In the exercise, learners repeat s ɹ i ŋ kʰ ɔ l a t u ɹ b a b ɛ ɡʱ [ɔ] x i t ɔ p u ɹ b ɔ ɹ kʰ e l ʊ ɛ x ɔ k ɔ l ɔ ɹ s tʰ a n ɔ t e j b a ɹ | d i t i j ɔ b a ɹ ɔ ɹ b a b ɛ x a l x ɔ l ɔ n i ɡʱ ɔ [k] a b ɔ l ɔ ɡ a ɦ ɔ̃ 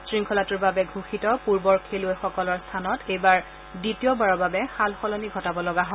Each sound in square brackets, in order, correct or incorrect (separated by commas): incorrect, incorrect